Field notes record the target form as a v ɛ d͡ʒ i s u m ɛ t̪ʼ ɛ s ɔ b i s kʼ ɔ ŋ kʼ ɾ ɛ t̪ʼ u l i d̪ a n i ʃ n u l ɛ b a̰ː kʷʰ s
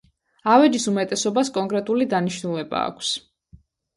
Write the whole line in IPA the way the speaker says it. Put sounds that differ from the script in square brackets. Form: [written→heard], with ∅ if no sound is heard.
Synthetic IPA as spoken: a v ɛ d͡ʒ i s u m ɛ t̪ʼ ɛ s ɔ b [i→a] s kʼ ɔ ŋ kʼ ɾ ɛ t̪ʼ u l i d̪ a n i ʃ n u l ɛ b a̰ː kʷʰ s